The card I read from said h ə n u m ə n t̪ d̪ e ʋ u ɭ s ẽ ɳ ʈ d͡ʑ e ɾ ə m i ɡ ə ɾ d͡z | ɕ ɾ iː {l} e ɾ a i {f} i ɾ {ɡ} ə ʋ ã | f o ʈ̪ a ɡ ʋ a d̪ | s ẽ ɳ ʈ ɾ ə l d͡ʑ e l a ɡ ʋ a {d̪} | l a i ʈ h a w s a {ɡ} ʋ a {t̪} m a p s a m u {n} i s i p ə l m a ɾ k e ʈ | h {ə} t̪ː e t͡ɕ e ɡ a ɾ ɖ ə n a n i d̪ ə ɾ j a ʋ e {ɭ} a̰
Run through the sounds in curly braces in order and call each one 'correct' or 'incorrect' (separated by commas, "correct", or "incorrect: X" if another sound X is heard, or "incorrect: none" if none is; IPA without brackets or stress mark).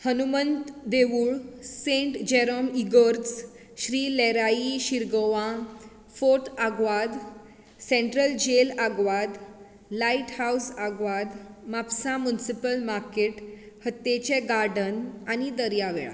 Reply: correct, incorrect: ɕ, correct, correct, correct, incorrect: d̪, correct, correct, correct